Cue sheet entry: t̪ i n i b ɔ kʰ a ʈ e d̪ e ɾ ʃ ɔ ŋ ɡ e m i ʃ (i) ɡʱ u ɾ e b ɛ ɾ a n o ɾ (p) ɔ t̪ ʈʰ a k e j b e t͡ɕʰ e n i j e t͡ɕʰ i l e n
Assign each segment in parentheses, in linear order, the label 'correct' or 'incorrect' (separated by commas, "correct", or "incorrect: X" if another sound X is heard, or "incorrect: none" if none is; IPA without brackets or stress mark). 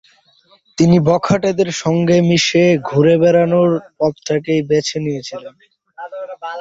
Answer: incorrect: e, correct